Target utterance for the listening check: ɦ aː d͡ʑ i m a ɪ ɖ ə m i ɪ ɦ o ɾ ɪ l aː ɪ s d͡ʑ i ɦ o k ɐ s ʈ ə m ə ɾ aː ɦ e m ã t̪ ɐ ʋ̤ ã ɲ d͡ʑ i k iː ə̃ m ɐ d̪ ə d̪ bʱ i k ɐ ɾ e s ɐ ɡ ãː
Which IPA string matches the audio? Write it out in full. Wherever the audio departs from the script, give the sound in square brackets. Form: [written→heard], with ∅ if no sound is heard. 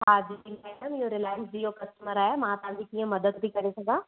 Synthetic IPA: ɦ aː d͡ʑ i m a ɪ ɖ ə m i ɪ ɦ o ɾ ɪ l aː ɪ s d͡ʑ i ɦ o k ɐ s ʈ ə m ə ɾ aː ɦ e m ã t̪ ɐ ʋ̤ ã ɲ d͡ʑ i k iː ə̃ m ɐ d̪ ə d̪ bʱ i k ɐ ɾ e s ɐ ɡ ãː